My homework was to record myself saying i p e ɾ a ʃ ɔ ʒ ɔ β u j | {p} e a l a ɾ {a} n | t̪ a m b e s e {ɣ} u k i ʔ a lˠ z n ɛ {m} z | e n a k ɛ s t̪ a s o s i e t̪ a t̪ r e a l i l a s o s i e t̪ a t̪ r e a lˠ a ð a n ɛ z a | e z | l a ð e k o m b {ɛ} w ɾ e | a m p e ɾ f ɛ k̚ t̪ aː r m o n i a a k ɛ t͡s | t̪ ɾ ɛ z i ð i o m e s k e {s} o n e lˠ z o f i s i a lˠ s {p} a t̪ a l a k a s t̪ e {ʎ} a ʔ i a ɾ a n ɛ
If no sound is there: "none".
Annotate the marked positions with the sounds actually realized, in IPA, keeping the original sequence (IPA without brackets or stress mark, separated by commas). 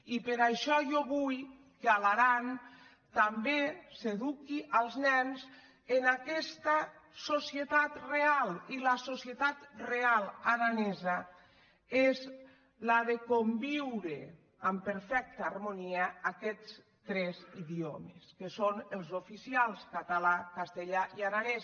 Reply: k, a, ð, n, i, s, k, ʎ